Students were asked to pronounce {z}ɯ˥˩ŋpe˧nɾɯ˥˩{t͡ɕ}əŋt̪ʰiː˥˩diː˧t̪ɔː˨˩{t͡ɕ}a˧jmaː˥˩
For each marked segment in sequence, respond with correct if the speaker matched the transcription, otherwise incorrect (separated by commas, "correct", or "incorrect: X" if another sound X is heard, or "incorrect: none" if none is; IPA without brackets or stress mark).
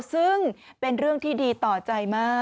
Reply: incorrect: s, incorrect: none, correct